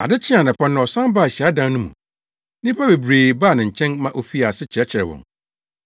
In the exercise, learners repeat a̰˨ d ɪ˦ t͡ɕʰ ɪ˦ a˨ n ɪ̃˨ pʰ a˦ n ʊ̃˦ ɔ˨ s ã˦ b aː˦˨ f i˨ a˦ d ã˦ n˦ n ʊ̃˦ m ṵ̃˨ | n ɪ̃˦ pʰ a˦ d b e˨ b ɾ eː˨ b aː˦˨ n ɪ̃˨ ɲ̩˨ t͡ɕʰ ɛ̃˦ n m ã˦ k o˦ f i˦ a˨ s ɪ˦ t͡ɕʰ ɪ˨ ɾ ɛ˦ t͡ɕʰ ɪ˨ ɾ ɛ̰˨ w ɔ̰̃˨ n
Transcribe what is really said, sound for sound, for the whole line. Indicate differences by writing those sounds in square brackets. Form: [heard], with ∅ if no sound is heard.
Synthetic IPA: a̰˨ d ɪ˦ t͡ɕʰ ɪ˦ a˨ n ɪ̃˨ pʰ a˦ n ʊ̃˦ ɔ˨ s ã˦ b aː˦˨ [ɕ] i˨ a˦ d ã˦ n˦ n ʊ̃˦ m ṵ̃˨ | n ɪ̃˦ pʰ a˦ [∅] b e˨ b ɾ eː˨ b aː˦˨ n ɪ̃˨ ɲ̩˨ t͡ɕʰ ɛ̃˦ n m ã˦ [ʔ] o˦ f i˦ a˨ s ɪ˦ t͡ɕʰ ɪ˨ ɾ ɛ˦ t͡ɕʰ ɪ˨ ɾ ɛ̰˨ w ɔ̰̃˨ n